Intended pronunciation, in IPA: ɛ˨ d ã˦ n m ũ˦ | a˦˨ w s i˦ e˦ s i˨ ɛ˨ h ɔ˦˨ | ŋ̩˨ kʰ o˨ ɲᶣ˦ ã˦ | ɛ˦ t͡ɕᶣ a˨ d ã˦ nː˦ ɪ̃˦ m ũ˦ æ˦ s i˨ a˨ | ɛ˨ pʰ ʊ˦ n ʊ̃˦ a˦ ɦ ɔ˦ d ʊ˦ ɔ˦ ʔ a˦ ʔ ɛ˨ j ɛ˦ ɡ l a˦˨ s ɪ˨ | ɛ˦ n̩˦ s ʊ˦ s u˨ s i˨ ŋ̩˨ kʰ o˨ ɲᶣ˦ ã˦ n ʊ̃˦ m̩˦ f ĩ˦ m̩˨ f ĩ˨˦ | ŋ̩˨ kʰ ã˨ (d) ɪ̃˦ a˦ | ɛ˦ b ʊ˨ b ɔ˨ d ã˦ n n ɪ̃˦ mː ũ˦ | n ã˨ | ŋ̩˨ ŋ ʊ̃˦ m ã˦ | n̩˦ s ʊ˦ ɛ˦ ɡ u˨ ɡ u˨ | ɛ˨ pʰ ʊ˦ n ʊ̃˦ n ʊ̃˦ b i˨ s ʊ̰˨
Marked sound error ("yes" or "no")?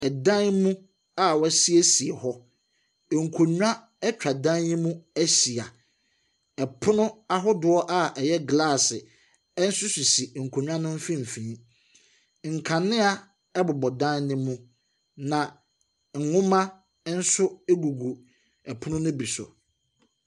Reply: yes